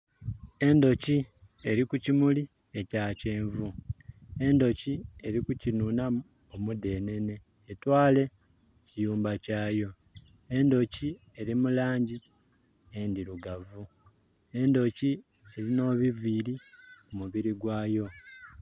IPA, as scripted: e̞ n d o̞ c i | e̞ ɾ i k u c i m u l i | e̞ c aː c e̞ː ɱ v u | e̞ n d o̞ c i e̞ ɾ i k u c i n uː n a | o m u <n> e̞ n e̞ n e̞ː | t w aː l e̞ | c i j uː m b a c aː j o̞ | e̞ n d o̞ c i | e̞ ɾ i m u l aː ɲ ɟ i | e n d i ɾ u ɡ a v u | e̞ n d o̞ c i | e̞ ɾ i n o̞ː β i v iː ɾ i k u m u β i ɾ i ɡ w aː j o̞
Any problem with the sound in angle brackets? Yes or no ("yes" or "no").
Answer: yes